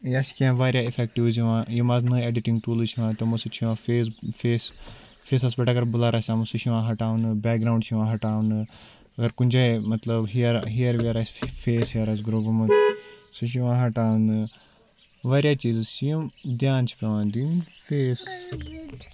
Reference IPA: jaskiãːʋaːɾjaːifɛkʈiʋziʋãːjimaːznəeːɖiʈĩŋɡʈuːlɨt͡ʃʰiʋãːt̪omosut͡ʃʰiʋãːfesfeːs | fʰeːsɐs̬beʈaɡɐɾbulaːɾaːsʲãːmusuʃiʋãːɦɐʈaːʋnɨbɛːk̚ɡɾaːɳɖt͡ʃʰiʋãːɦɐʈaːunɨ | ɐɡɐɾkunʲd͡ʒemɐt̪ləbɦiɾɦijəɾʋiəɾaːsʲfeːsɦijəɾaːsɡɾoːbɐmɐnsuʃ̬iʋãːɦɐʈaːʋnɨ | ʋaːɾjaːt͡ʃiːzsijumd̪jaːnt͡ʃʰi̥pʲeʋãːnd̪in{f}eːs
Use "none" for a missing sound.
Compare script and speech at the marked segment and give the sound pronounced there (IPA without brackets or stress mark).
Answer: f